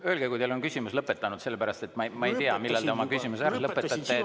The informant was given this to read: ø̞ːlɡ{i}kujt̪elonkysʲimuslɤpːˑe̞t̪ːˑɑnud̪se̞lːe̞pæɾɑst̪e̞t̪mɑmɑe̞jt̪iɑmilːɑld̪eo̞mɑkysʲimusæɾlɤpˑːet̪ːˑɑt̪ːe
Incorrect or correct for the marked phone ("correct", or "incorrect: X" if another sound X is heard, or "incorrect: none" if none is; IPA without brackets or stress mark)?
incorrect: e